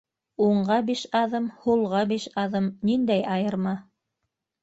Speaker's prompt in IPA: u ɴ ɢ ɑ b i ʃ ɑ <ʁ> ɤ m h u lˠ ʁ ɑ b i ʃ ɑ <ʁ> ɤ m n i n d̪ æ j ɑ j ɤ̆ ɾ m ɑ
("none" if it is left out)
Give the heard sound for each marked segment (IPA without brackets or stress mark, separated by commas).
ð, ð